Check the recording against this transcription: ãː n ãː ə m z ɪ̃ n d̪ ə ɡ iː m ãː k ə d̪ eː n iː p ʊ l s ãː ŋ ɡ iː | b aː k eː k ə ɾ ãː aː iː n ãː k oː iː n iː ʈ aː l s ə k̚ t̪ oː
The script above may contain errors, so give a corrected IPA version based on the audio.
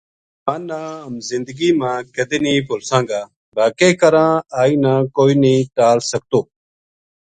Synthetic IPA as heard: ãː n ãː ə m z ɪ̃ n d̪ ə ɡ iː m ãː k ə d̪ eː n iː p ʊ l s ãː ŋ ɡ aː | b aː k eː k ə ɾ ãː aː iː n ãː k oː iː n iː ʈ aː l s ə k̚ t̪ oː